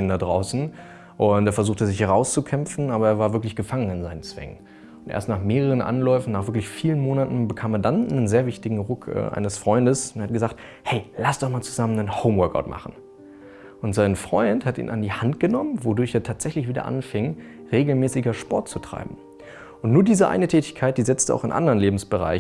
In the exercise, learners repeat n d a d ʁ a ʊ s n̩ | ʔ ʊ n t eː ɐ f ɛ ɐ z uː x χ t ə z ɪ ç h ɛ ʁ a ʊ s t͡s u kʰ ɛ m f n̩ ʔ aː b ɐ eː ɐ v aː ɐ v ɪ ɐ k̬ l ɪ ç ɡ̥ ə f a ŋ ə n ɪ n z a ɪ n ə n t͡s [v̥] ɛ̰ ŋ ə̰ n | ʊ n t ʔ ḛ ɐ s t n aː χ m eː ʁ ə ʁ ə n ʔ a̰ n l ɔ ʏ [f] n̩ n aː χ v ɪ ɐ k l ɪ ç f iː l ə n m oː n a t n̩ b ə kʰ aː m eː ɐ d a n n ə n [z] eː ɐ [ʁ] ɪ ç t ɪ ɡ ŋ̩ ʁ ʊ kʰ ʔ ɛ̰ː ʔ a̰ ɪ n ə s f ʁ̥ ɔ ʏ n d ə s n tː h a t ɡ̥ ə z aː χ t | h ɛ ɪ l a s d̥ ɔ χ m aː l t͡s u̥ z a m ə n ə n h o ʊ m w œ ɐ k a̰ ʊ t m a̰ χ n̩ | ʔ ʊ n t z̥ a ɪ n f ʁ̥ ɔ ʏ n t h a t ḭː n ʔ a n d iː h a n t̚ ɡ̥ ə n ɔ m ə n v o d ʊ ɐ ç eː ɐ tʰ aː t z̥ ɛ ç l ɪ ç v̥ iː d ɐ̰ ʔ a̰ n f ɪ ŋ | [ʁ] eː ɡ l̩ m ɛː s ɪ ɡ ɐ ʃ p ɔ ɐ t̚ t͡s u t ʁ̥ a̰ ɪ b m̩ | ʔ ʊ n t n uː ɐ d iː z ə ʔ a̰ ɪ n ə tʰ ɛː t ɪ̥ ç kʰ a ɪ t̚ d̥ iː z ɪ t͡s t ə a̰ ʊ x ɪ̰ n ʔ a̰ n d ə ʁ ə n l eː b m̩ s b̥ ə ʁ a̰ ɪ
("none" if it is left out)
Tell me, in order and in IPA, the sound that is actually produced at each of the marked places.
v̥, f, z, v, ʁ

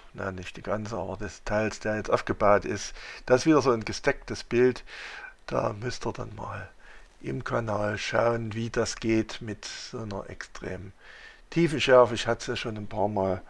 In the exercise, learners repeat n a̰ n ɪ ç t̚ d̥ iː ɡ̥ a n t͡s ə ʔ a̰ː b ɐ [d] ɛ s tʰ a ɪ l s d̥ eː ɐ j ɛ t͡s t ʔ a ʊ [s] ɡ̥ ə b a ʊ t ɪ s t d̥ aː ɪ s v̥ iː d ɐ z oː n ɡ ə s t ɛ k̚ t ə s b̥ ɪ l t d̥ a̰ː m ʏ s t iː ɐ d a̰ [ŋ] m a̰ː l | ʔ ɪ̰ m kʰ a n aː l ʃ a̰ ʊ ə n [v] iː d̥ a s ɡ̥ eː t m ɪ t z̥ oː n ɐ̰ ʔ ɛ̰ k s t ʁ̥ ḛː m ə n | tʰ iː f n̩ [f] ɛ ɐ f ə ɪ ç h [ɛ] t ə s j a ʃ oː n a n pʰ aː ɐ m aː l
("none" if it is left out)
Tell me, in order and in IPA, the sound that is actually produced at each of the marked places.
d, f, n, v, ʃ, a

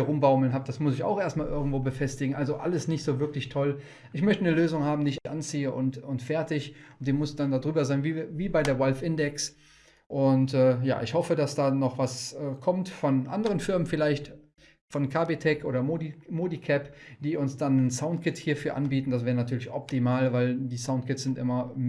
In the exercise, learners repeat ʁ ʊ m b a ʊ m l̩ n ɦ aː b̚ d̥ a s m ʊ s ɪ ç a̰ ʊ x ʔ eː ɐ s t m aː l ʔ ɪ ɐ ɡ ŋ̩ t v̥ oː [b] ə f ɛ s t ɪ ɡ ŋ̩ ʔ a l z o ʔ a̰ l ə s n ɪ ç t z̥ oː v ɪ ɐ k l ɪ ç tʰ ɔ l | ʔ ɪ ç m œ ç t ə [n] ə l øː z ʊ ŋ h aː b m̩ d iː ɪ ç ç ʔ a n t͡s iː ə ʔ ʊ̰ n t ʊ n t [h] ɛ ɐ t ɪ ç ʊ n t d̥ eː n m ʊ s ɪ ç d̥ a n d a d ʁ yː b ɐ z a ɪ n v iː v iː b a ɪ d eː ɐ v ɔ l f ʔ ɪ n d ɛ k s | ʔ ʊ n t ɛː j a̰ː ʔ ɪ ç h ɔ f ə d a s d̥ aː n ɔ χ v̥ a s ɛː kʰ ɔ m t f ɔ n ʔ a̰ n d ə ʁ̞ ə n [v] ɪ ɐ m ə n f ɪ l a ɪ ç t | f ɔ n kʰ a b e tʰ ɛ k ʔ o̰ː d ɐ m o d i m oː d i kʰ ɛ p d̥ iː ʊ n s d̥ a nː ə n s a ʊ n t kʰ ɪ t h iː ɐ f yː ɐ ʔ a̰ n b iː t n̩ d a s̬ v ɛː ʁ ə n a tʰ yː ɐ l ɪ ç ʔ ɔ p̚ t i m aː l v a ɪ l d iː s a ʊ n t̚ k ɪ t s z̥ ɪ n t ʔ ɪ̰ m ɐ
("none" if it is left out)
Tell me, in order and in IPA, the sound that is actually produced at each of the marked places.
b, n, f, f

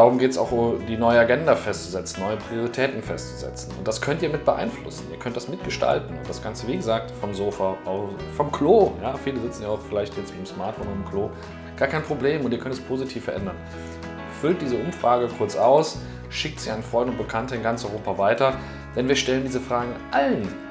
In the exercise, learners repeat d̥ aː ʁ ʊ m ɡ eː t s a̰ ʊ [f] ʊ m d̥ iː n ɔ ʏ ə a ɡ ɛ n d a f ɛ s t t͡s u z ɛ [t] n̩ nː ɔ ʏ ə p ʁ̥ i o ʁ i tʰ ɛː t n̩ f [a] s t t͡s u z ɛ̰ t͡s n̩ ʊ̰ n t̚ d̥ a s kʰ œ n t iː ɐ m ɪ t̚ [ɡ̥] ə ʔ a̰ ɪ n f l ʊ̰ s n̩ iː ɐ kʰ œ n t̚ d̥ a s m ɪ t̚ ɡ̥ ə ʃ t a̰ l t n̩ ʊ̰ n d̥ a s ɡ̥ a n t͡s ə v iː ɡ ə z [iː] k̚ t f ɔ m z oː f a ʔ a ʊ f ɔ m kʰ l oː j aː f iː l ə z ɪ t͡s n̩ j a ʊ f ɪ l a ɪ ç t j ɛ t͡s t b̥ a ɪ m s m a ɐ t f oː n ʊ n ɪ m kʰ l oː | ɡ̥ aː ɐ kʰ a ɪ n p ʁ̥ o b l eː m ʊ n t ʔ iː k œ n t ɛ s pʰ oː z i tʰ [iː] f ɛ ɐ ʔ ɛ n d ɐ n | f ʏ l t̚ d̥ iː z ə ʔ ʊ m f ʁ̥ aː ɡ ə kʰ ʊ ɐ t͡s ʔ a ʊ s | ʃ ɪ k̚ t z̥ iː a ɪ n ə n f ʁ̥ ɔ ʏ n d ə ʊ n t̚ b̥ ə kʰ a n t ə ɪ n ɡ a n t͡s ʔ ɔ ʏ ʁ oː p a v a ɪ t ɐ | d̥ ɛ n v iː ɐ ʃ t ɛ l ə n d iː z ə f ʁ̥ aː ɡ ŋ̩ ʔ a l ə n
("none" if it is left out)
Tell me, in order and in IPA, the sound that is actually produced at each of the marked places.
x, t͡s, ɛ, b̥, aː, iː

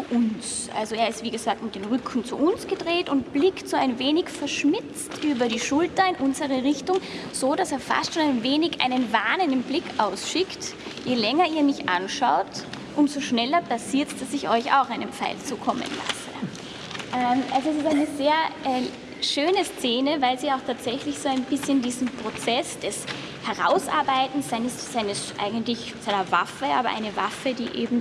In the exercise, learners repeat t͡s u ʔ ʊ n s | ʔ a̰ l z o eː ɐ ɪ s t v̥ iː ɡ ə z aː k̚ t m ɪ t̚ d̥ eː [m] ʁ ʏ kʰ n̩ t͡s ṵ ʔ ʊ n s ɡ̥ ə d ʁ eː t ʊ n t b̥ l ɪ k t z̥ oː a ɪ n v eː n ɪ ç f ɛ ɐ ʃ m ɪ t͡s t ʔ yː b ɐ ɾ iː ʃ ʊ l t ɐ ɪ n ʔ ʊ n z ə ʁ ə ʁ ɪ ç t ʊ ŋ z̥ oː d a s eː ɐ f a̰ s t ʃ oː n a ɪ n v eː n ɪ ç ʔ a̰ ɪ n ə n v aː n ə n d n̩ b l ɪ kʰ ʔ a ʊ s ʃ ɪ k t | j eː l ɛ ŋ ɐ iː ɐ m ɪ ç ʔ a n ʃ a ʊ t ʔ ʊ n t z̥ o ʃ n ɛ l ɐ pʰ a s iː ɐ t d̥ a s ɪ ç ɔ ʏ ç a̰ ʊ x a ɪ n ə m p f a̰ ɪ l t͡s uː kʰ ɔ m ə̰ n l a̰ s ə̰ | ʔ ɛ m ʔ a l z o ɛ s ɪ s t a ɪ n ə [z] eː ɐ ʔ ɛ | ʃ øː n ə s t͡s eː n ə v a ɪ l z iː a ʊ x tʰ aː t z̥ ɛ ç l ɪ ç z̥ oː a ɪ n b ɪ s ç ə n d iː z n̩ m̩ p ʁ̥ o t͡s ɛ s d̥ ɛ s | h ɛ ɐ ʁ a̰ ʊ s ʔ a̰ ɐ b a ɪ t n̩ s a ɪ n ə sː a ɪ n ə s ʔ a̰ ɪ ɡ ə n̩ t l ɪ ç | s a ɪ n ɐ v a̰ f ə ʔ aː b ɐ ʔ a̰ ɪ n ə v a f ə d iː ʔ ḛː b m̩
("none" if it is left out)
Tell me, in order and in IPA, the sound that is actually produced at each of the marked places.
n, z

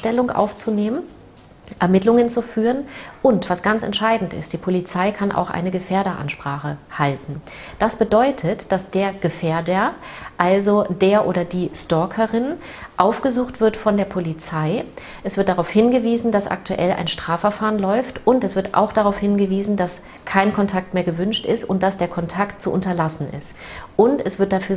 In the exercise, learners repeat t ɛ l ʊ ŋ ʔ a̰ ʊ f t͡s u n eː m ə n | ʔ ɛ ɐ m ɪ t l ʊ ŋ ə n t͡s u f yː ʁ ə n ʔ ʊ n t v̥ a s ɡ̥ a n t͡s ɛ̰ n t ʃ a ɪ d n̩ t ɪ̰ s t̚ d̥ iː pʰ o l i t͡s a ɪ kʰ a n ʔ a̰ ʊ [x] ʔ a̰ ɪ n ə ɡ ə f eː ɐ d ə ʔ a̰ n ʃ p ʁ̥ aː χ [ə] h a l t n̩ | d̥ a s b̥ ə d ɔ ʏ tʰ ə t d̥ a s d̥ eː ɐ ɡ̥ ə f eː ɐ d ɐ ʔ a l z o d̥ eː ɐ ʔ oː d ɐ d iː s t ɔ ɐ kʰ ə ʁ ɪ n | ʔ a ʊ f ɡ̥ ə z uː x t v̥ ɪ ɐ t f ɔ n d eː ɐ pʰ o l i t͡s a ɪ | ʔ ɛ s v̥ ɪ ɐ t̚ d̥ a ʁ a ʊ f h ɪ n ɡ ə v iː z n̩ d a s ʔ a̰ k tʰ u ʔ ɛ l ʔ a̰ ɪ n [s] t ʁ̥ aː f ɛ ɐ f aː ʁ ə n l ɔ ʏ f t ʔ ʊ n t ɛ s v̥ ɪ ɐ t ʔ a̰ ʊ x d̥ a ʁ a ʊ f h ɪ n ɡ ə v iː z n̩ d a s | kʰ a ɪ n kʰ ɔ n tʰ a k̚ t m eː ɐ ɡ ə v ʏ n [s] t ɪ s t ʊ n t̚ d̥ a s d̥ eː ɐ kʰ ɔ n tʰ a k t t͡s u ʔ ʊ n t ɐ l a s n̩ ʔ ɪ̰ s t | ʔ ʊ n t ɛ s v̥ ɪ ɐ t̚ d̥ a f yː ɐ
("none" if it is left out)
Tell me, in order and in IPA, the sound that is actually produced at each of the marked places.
x, ə, ʃ, ʃ

